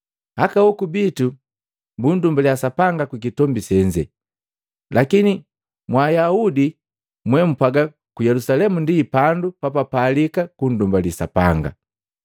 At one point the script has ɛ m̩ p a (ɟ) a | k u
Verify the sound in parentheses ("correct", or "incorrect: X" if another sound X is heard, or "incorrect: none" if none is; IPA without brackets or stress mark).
incorrect: ɡ